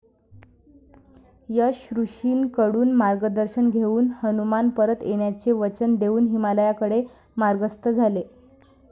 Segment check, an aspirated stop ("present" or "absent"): absent